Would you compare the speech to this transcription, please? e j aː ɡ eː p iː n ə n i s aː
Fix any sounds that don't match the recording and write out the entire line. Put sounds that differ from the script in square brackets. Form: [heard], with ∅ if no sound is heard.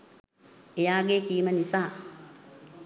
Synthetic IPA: e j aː ɡ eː [k] iː [m] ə n i s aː